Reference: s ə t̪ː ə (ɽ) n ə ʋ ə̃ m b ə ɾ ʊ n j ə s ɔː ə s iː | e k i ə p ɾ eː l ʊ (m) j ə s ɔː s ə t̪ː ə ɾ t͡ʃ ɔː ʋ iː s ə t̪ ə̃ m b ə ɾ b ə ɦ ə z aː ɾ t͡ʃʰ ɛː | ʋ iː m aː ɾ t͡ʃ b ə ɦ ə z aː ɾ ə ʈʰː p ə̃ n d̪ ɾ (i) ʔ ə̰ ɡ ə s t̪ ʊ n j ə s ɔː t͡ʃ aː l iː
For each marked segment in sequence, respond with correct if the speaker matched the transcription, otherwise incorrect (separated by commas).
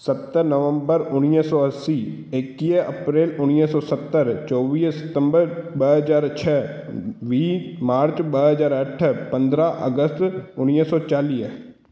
incorrect, incorrect, incorrect